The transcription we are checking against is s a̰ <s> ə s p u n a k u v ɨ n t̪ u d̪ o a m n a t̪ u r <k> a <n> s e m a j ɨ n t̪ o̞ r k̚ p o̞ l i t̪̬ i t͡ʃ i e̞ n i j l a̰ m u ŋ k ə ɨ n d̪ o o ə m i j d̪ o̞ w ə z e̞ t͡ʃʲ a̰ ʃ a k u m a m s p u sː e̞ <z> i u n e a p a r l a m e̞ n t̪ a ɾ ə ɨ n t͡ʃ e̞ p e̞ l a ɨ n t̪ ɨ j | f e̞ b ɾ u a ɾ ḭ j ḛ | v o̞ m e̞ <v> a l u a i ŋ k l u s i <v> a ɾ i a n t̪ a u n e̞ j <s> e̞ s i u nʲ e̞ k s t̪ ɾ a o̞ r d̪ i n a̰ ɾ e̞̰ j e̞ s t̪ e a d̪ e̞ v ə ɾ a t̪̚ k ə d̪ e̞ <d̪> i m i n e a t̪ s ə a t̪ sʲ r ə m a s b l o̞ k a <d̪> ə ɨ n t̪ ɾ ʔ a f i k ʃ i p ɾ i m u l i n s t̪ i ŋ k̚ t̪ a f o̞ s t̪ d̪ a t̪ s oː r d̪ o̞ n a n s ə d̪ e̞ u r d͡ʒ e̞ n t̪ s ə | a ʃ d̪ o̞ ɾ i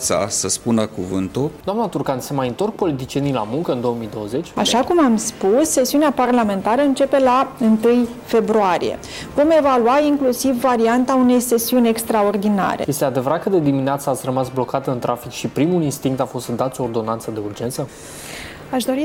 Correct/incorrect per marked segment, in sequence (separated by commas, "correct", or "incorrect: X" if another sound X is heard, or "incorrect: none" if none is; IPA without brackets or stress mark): correct, correct, correct, incorrect: s, correct, incorrect: vː, correct, correct, incorrect: t̪